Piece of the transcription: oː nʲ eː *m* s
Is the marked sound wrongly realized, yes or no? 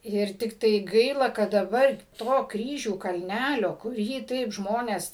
yes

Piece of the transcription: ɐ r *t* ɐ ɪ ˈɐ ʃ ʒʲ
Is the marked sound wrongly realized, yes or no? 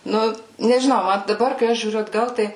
yes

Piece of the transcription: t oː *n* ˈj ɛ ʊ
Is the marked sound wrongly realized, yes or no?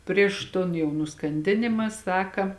no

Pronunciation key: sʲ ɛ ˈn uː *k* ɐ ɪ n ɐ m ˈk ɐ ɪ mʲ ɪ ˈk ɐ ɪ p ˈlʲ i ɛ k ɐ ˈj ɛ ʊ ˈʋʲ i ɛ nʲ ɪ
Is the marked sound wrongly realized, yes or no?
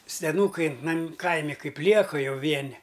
no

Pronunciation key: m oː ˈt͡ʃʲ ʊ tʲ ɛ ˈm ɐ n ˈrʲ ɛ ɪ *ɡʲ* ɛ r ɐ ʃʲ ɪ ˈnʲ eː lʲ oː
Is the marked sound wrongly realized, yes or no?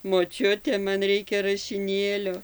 yes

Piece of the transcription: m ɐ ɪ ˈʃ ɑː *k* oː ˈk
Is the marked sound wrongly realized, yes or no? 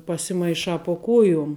yes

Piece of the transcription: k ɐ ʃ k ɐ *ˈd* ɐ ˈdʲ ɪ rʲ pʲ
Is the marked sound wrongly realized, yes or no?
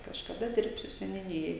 no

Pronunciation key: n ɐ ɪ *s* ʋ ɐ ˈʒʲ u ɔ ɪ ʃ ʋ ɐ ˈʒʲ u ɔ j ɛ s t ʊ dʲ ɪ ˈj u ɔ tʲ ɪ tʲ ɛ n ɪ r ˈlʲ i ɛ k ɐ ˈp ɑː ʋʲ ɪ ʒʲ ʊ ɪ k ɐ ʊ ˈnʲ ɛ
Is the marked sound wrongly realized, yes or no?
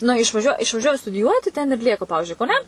yes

